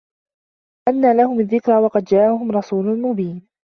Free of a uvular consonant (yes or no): no